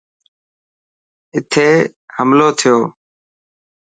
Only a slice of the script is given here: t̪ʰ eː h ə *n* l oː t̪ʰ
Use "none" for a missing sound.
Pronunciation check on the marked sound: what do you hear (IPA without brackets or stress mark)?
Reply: m